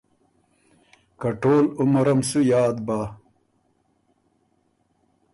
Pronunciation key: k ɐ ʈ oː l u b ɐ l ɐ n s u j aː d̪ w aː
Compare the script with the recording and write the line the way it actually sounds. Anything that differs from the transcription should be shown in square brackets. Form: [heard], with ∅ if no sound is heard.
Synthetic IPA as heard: k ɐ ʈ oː l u [m] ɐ [ɾ] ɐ [m] s u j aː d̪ [b] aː